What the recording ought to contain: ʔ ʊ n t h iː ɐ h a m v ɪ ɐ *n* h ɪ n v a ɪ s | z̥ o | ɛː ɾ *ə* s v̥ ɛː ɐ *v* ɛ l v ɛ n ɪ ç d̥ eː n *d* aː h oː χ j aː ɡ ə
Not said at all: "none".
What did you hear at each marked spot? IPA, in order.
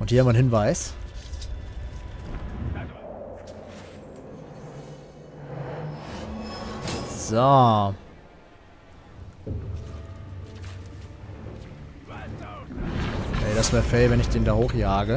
n, a, f, d

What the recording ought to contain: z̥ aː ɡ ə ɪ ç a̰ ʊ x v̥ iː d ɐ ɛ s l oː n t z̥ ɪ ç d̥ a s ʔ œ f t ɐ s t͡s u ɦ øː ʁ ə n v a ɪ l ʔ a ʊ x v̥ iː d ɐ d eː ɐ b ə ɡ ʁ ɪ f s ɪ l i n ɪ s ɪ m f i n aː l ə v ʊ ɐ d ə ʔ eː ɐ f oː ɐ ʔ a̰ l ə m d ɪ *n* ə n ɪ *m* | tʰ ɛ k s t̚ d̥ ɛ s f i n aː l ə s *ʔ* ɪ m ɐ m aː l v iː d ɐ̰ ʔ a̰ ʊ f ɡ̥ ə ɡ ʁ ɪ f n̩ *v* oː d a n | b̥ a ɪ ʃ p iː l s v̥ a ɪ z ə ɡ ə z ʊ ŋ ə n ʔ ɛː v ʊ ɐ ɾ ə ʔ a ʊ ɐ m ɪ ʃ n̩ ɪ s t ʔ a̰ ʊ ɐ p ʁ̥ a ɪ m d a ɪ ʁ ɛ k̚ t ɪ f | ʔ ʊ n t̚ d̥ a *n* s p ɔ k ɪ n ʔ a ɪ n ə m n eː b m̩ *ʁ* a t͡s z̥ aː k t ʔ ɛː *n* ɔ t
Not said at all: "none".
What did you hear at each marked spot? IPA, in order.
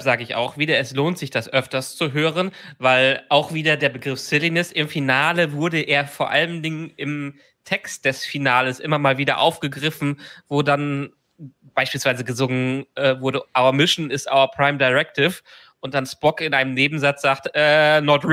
ŋ, m, ʔ, v, n, z, n

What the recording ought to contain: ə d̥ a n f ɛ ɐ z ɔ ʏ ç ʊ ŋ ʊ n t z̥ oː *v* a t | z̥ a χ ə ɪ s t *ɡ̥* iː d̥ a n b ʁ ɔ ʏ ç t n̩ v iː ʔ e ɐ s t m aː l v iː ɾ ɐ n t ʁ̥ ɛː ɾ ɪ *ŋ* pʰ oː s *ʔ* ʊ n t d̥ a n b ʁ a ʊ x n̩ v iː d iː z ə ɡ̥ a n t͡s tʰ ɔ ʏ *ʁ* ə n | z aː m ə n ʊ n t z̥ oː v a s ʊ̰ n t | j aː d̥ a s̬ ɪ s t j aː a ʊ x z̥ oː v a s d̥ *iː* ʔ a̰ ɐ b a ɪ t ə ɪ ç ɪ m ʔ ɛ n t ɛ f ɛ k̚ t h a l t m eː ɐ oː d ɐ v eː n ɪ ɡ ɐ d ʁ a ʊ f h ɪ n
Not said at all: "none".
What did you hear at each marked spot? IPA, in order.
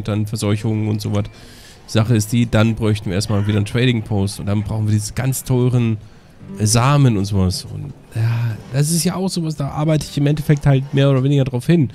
v, d̥, ŋ, t, ʁ, aː

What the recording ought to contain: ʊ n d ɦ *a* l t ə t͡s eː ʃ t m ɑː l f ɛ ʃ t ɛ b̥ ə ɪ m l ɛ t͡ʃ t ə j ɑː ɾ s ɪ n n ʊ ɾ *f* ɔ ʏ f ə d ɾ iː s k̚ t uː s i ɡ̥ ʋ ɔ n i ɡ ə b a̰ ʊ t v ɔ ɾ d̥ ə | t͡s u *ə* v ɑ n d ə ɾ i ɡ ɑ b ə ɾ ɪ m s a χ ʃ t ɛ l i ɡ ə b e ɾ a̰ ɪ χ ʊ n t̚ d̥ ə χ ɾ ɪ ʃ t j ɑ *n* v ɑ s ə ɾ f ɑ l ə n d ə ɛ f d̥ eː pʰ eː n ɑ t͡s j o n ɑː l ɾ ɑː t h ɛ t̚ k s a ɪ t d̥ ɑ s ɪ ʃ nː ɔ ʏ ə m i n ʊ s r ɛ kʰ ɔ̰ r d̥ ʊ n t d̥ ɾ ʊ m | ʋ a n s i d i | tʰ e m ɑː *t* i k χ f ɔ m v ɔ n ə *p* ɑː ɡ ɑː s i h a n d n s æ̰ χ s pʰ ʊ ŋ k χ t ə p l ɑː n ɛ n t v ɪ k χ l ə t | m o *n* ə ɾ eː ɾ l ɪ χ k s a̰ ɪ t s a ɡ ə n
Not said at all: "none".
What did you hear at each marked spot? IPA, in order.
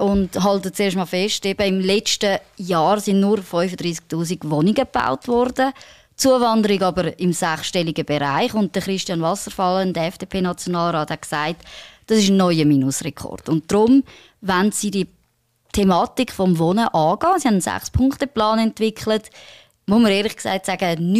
ɑ, f, ə, n, t, ʔ, m

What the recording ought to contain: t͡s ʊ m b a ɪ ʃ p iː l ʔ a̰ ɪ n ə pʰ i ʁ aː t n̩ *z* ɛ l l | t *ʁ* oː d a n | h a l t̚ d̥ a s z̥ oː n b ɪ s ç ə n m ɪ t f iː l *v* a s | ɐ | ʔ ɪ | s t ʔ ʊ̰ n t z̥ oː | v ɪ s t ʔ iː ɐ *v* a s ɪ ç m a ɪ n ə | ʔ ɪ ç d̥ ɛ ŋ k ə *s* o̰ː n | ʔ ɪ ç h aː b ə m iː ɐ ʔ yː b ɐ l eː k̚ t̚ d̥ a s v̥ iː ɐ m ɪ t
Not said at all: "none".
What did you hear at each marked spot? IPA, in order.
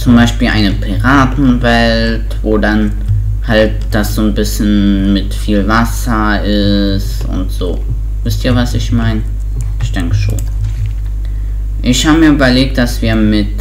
v, v, v, v, ʃ

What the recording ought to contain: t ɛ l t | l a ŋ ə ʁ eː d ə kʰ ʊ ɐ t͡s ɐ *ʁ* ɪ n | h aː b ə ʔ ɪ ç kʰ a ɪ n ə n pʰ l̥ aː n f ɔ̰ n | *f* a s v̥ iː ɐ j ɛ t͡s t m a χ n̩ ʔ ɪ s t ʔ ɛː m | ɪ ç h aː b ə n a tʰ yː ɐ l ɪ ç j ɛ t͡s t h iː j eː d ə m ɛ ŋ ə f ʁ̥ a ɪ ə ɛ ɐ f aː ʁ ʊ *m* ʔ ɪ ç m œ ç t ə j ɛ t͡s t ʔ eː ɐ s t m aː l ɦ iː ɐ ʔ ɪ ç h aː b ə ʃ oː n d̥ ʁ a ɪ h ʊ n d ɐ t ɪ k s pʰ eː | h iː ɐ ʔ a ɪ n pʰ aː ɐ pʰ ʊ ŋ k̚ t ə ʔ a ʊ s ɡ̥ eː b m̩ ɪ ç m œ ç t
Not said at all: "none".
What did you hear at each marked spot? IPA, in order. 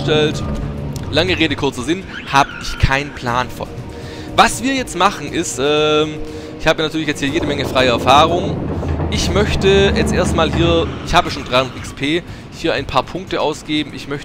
z, v, ŋ

